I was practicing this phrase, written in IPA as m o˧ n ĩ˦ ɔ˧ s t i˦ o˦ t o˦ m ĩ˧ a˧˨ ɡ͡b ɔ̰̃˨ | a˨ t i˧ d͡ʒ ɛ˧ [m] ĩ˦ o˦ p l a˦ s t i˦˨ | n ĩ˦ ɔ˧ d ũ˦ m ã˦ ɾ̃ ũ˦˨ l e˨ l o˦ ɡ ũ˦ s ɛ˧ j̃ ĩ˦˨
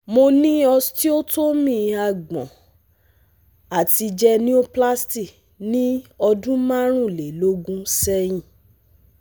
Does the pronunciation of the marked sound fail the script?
yes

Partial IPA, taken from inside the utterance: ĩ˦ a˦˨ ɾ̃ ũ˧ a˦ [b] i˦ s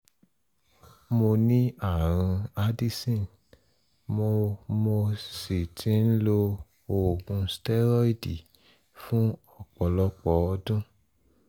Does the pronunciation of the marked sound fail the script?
yes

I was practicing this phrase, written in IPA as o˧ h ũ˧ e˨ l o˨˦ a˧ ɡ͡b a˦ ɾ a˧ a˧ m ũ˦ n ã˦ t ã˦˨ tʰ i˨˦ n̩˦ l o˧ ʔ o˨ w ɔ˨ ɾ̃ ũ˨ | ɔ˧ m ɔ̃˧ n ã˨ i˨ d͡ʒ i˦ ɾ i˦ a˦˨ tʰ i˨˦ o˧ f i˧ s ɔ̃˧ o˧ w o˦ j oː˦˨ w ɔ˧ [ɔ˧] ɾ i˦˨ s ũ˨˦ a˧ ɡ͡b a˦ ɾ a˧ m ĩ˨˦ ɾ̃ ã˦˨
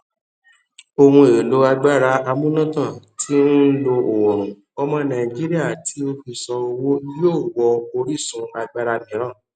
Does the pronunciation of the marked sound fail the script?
yes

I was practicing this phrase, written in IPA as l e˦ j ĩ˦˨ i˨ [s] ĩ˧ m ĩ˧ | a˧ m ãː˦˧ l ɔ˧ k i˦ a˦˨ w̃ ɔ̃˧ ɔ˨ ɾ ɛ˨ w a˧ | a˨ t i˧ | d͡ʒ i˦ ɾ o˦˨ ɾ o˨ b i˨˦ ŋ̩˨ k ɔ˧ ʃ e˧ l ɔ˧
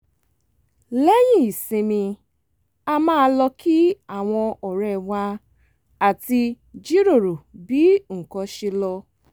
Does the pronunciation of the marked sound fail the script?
no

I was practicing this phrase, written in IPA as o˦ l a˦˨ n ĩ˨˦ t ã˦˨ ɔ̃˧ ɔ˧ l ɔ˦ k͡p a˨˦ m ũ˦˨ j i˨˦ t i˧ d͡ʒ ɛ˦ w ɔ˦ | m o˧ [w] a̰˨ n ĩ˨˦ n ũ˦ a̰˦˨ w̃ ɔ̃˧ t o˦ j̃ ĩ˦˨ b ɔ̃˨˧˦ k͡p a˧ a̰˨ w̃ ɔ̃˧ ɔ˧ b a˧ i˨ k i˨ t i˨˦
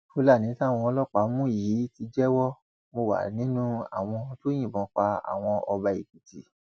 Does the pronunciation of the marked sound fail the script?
no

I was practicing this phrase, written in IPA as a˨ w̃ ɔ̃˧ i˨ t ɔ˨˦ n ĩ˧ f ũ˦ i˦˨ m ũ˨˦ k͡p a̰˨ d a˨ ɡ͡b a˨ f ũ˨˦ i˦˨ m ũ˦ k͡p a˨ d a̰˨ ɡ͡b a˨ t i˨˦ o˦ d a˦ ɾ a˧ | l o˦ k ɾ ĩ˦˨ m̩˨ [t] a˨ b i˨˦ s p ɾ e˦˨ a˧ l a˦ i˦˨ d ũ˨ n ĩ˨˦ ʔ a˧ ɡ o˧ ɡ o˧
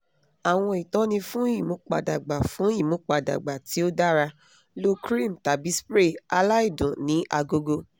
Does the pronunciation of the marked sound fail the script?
no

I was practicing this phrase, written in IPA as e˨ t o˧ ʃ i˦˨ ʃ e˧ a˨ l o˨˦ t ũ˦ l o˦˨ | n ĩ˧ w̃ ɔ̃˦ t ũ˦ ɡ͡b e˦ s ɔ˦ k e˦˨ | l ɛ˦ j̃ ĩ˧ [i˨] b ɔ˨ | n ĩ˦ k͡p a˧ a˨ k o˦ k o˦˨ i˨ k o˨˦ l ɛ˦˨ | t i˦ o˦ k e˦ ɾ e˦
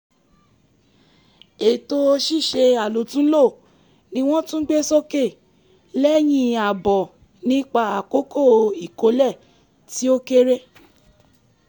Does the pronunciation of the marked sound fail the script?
yes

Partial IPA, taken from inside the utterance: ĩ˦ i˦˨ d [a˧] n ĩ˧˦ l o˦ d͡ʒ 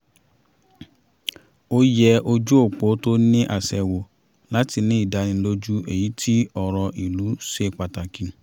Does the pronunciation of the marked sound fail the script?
no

